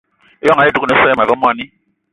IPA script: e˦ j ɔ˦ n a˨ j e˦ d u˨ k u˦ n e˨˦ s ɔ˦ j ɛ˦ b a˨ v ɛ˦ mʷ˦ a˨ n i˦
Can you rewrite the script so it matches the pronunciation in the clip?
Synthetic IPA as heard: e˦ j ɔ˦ ŋ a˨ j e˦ d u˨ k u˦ n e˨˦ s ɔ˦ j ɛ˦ m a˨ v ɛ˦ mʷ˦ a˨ n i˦